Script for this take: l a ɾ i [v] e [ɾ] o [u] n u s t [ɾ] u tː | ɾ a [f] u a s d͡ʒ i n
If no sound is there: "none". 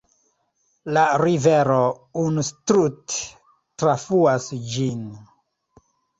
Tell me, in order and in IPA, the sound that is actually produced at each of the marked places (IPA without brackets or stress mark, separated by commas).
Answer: v, ɾ, u, ɾ, f